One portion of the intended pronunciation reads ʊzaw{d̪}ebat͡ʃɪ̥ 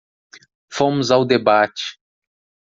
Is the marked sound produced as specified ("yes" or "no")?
yes